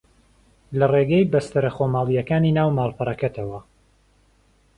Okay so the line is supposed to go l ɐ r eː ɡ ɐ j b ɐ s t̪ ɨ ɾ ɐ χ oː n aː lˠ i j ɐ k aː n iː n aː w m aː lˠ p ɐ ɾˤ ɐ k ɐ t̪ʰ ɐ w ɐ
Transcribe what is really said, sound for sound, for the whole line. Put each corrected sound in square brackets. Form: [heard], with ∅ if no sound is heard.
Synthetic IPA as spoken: l ɐ r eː ɡ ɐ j b ɐ s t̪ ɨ ɾ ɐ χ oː [m] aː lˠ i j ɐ k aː n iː n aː w m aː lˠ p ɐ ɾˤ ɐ k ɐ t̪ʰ ɐ w ɐ

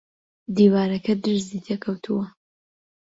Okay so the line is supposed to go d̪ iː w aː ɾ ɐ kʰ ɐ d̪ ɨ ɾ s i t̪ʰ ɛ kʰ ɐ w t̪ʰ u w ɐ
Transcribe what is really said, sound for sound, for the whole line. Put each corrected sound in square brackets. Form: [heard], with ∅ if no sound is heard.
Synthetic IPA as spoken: d̪ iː w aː ɾ ɐ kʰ ɐ d̪ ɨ ɾ [z] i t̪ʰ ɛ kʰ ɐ w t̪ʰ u w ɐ

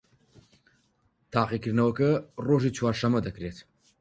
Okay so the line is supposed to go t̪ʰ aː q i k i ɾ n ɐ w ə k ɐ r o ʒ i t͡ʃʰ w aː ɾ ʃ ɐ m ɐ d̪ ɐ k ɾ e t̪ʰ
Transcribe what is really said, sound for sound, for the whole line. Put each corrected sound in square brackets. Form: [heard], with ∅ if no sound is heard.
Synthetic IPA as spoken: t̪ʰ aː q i k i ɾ n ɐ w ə k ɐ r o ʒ i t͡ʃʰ w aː ɾ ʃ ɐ m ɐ d̪ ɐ k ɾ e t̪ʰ

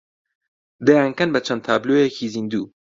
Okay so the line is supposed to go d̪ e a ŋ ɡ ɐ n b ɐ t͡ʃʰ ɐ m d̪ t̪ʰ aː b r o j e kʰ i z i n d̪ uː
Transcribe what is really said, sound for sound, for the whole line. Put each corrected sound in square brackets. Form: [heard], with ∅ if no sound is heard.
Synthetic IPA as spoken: d̪ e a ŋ [k] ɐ n b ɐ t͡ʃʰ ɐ [n] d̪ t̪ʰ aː b [l] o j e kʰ i z i n d̪ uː

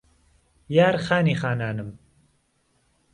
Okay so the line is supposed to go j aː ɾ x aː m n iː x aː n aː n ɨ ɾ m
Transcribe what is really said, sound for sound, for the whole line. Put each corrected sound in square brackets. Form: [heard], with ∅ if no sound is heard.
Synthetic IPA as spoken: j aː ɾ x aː [∅] n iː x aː n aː n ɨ [∅] m

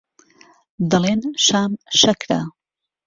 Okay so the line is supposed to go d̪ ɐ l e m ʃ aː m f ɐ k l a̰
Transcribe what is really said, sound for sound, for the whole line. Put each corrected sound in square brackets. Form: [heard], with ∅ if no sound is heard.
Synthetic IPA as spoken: d̪ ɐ l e [n] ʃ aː m [ʃ] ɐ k [ɾ] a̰

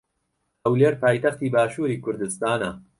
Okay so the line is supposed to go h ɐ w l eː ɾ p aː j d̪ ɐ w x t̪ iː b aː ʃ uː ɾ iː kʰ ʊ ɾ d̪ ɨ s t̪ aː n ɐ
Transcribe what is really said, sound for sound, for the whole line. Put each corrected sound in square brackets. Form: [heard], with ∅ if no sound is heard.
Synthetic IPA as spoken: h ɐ w l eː ɾ p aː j [t̪] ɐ [∅] x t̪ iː b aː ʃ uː ɾ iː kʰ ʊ ɾ d̪ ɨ s t̪ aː n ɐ

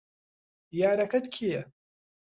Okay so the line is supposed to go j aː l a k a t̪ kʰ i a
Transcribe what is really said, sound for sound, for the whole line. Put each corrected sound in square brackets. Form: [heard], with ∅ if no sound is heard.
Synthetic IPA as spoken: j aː [ɾ] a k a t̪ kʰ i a

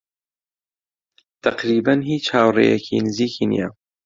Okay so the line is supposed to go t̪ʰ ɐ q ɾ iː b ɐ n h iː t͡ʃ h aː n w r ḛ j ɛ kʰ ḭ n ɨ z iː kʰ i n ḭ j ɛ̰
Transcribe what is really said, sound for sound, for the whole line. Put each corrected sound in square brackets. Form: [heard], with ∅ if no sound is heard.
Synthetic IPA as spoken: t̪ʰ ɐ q ɾ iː b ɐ n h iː t͡ʃ h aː [∅] w r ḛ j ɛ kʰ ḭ n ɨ z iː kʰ i n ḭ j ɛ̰

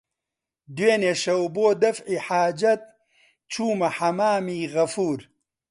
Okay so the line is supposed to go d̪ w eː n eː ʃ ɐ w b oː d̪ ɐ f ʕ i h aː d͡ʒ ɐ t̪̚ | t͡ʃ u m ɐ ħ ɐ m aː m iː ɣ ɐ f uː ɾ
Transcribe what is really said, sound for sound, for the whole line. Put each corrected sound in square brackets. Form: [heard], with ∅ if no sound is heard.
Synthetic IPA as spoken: d̪ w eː n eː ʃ ɐ w b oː d̪ ɐ f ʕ i [ħ] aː d͡ʒ ɐ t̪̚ | t͡ʃ [uː] m ɐ ħ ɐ m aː m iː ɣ ɐ f uː ɾ

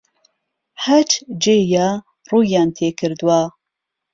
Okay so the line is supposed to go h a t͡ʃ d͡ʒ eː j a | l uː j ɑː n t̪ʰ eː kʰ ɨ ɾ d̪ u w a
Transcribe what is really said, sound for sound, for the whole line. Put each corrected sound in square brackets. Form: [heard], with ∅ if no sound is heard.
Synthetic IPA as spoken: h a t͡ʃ d͡ʒ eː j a | [r] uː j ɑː n t̪ʰ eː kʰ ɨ ɾ d̪ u w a

